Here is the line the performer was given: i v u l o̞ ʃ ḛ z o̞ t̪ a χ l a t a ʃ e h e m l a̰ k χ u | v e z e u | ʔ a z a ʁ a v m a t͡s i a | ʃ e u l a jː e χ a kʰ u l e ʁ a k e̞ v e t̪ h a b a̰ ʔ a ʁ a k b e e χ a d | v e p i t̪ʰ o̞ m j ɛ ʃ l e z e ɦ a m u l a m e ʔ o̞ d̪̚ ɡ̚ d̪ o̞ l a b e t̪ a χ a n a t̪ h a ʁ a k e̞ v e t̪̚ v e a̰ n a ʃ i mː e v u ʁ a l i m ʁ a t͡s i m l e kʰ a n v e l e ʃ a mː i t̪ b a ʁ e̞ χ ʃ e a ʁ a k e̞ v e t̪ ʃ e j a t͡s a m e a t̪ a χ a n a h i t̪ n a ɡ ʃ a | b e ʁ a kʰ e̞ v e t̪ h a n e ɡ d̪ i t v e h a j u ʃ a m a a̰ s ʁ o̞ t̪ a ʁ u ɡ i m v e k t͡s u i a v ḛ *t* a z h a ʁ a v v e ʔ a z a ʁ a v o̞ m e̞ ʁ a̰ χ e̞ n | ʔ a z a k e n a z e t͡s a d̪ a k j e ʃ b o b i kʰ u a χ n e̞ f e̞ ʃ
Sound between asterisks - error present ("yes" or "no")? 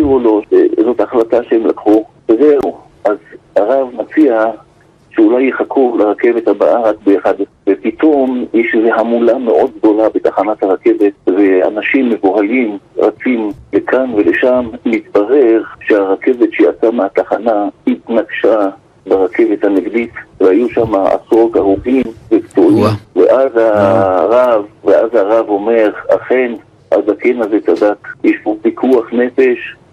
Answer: yes